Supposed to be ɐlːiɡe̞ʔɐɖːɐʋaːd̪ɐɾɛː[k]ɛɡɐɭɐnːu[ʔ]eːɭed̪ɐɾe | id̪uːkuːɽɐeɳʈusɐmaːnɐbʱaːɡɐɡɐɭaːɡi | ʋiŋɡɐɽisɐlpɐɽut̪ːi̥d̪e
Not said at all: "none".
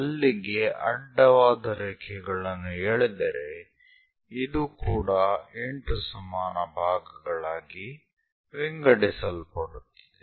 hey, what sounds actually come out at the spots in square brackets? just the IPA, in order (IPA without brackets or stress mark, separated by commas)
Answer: kʰ, none